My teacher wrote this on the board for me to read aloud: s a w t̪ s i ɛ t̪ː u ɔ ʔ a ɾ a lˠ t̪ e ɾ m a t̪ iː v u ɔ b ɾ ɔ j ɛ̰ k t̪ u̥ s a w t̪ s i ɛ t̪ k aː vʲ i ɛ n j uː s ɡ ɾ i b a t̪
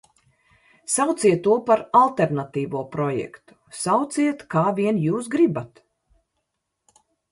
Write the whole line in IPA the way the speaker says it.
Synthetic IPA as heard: s a w t̪ s i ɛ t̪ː u ɔ p a ɾ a lˠ t̪ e ɾ n a t̪ iː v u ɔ p ɾ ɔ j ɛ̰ k t̪ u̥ s a w t̪ s i ɛ t̪ k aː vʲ i ɛ n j uː s ɡ ɾ i b a t̪